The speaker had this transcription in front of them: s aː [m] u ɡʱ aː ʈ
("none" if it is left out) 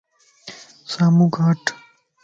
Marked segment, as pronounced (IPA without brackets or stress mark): m